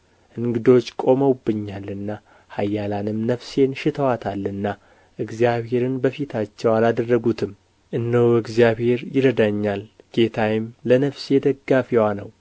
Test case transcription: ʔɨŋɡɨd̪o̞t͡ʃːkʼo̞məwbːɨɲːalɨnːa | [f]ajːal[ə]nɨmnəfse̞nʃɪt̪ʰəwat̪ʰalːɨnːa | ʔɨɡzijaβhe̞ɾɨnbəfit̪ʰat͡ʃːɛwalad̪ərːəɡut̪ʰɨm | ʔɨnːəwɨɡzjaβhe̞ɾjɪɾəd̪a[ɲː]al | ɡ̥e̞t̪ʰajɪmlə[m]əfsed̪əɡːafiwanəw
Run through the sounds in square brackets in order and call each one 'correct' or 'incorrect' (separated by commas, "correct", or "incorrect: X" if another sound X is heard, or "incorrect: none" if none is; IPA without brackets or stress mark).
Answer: incorrect: h, incorrect: a, correct, incorrect: n